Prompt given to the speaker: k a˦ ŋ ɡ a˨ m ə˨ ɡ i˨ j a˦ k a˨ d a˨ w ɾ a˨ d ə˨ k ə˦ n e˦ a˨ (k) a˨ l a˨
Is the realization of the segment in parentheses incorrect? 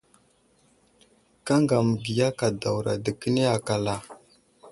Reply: no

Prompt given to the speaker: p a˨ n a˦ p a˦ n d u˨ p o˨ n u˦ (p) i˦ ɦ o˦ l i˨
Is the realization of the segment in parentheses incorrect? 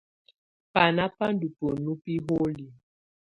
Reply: no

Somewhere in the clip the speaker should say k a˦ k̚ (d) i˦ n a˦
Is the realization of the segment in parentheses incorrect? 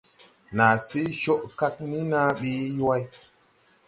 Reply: yes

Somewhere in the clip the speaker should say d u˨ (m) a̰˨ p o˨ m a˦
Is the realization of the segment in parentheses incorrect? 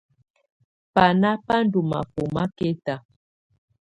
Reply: no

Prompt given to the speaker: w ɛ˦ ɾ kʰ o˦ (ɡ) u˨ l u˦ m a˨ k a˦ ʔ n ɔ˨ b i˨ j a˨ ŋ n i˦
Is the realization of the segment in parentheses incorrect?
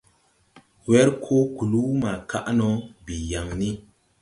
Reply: yes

